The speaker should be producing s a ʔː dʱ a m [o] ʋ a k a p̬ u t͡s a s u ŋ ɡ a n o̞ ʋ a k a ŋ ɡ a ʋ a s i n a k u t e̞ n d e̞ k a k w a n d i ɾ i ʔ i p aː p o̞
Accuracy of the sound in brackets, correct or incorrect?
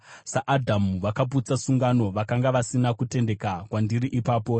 incorrect: u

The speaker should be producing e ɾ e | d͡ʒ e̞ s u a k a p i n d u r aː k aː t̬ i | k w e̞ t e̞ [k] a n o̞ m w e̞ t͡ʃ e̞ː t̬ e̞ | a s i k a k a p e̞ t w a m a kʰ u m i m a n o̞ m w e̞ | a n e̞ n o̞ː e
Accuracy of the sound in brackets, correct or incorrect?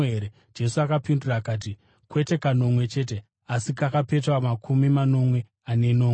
correct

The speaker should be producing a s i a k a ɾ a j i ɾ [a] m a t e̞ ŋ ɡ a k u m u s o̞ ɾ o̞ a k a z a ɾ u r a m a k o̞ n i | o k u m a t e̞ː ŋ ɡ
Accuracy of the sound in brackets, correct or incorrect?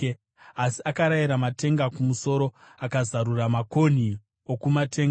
correct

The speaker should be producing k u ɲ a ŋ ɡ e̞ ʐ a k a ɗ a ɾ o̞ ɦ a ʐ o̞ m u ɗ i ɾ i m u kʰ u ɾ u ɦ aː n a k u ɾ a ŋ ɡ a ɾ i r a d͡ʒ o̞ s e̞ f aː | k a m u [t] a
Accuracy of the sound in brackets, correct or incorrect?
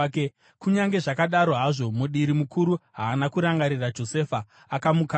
incorrect: k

